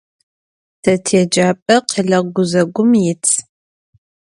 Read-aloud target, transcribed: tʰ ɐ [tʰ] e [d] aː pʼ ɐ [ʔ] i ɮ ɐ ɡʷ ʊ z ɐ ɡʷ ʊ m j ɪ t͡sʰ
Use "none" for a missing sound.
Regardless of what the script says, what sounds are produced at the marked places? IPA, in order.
tʰ, d͡ʒ, q

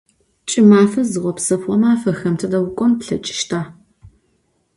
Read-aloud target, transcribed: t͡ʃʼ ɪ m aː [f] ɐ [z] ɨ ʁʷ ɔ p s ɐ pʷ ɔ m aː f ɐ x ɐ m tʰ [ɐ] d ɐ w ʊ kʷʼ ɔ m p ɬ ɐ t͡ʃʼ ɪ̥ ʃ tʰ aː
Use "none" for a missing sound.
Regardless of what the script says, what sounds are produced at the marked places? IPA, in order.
f, z, ɐ

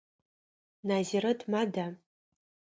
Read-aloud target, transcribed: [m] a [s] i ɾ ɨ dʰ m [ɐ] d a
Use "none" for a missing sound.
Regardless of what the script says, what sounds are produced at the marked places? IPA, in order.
n, z, a

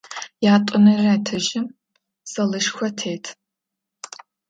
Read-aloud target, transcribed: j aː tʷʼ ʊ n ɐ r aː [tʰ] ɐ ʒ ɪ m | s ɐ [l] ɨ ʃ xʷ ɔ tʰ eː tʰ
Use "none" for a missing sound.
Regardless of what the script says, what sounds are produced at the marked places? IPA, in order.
tʰ, l

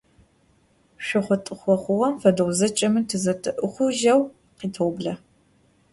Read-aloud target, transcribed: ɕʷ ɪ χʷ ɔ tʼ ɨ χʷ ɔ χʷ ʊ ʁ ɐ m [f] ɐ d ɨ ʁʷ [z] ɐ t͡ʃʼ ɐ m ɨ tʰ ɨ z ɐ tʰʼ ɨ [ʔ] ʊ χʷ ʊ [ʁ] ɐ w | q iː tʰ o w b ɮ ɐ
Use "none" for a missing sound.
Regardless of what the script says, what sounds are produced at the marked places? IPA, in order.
f, z, ʔ, ʒ

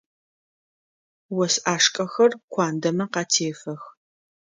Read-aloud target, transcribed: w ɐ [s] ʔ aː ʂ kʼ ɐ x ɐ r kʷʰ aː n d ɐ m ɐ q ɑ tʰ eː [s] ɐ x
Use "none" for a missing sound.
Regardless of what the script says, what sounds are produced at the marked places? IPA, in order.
s, f

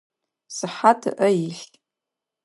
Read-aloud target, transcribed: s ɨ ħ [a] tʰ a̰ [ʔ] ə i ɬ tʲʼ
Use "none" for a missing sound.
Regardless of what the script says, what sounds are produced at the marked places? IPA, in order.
a, ʔ

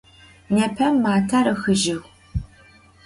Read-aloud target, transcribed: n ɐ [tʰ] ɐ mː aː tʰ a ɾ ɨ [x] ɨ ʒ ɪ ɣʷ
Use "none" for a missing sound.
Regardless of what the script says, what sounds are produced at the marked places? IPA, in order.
pʰ, x

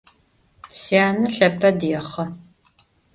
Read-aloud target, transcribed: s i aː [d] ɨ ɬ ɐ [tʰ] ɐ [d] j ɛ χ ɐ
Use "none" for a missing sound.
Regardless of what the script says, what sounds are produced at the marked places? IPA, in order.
n, pʰ, d

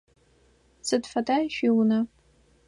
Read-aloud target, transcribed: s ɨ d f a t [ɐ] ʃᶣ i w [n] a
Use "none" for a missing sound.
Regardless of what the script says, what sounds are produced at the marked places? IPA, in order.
a, n

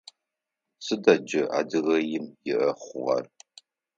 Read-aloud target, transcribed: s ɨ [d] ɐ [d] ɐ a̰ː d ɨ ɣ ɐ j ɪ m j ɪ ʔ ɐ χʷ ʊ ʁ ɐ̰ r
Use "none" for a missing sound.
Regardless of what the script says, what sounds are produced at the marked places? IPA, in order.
d, d͡ʒ

